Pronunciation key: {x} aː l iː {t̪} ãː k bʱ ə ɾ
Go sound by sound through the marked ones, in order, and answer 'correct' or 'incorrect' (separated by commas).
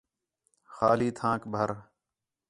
correct, incorrect